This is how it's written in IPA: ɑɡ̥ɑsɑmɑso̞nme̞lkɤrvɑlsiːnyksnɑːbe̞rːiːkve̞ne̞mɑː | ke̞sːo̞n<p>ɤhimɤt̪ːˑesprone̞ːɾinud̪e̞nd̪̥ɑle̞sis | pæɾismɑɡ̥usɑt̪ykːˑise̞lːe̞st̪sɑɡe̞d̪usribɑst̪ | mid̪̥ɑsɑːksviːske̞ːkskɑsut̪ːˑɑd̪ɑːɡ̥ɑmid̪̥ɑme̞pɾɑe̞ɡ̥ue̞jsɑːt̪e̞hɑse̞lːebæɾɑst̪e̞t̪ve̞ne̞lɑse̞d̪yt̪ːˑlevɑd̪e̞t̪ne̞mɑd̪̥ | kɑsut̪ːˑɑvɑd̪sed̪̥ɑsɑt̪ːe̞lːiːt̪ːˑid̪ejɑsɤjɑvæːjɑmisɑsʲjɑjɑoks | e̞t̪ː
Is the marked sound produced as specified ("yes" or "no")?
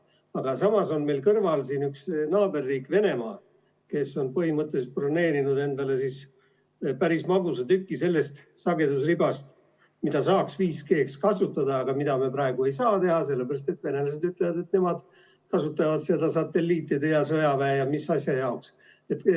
yes